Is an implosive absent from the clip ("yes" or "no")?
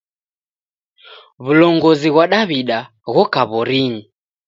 no